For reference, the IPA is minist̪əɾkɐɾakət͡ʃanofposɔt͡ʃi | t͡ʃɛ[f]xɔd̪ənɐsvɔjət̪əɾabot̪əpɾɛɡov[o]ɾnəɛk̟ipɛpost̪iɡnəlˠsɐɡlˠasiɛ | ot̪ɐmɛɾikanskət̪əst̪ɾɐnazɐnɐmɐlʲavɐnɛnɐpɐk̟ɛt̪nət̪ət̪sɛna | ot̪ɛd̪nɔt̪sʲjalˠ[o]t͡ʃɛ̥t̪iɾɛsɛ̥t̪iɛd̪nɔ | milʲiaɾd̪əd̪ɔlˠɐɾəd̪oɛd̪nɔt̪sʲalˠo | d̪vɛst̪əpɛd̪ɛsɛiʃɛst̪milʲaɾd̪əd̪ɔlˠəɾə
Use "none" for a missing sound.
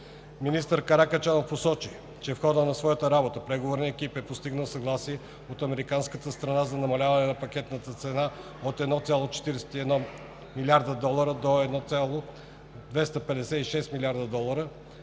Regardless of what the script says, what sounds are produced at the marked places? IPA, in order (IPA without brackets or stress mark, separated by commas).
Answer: f, o, o